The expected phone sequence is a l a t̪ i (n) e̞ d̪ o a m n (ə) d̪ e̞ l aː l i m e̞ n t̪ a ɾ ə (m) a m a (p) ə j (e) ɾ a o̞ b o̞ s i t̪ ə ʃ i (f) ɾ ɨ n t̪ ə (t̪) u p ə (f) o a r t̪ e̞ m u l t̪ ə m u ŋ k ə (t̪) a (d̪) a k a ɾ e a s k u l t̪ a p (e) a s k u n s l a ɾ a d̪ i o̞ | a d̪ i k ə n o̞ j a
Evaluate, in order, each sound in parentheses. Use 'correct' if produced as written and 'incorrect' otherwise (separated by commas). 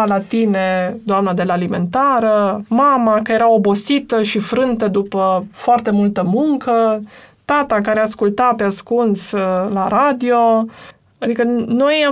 correct, incorrect, correct, incorrect, correct, correct, incorrect, correct, correct, incorrect, correct